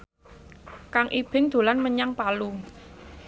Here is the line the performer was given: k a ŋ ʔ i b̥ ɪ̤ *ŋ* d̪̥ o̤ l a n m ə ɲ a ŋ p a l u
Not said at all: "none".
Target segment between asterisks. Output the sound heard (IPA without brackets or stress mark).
ŋ